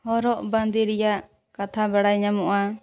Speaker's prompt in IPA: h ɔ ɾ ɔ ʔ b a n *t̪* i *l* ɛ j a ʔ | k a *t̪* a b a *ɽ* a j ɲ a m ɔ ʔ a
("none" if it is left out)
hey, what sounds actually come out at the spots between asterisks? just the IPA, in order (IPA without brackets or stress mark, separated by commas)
d̪, ɾ, t̪ʰ, ɽ